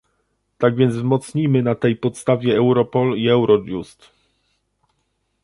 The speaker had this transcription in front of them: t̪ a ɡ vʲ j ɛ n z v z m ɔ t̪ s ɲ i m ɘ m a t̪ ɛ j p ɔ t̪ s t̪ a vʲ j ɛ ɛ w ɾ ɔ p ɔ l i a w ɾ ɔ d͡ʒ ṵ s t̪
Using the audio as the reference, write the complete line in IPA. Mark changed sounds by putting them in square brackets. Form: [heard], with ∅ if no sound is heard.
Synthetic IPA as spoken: t̪ a ɡ vʲ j ɛ n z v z m ɔ t̪ s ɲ i m ɘ [n] a t̪ ɛ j p ɔ t̪ s t̪ a vʲ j ɛ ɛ w ɾ ɔ p ɔ l i [ɛ] w ɾ ɔ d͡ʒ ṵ s t̪